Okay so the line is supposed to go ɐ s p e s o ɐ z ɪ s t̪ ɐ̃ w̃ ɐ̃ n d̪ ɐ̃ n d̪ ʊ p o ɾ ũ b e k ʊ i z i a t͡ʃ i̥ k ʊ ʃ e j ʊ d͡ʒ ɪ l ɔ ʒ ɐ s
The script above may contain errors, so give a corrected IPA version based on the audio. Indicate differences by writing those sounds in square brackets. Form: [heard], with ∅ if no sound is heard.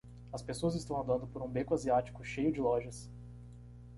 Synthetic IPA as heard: ɐ s p e s o ɐ z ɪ s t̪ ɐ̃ w̃ ɐ̃ n d̪ ɐ̃ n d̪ ʊ p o ɾ ũ b e k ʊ [a] z i a t͡ʃ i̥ k ʊ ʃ e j ʊ d͡ʒ ɪ l ɔ ʒ ɐ s